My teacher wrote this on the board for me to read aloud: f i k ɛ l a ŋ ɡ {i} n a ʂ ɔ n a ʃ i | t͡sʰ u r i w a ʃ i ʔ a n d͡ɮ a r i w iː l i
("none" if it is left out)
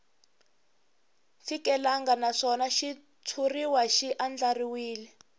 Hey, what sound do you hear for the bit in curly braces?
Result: a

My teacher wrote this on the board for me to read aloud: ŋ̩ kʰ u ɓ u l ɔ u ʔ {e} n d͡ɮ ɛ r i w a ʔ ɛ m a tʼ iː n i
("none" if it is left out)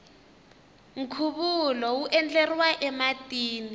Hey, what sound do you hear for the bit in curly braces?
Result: ɛ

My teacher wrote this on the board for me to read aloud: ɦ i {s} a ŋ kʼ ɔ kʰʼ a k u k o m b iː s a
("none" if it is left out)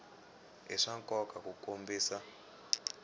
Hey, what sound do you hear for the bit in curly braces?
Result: ʂ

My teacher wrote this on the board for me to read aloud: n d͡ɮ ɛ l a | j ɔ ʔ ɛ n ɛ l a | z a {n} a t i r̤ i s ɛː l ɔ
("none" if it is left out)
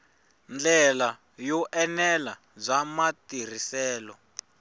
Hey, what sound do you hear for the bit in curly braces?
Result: m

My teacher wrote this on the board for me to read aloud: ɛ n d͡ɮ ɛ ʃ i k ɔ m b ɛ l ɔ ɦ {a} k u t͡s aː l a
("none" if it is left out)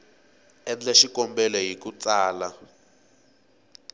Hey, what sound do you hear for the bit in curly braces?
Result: i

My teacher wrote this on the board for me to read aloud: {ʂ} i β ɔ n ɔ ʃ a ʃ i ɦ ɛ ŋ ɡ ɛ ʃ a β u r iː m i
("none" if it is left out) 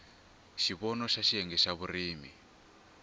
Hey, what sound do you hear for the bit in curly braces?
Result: ʃ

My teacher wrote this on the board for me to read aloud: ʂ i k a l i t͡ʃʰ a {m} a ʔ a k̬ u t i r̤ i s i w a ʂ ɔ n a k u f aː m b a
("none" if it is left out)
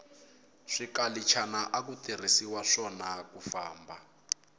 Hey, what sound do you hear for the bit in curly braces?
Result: n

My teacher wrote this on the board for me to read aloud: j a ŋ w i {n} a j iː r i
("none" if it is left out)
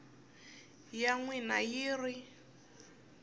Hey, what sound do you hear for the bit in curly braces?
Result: n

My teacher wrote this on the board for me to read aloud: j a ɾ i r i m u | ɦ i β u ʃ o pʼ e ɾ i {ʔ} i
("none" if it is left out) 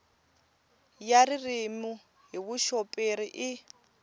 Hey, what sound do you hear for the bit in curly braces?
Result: ʔ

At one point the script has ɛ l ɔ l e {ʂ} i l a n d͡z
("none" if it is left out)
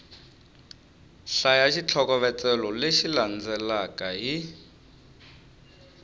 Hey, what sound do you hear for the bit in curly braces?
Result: ʃ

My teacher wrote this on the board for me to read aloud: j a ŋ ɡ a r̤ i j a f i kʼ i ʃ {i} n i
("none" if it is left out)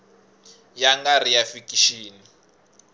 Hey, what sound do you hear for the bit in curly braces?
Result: iː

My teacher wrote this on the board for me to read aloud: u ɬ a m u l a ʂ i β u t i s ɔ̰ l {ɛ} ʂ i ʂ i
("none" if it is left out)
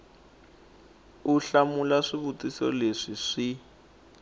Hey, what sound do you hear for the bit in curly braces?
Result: e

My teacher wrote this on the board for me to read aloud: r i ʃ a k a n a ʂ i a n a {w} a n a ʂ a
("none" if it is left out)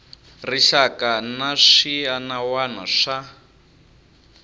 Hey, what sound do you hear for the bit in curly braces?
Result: w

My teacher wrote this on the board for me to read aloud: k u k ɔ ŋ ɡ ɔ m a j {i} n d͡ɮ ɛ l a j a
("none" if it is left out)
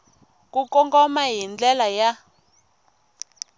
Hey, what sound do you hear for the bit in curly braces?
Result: i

